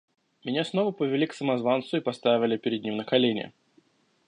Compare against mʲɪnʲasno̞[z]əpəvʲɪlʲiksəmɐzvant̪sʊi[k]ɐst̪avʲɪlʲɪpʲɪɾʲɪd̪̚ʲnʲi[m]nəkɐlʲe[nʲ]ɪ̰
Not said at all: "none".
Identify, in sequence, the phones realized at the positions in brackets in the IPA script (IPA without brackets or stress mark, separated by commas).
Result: v, p, m, nʲ